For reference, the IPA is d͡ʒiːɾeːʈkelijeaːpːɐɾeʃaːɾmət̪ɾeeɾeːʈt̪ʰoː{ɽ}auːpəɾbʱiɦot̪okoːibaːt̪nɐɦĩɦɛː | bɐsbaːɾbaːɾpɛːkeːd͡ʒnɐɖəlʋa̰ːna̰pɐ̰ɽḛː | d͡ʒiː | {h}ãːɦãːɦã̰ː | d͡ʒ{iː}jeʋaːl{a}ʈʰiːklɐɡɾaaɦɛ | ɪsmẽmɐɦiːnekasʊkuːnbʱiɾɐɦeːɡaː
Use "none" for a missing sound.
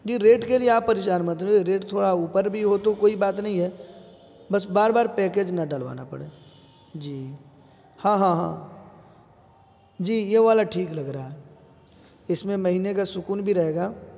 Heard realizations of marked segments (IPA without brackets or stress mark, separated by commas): ɽ, h, iː, a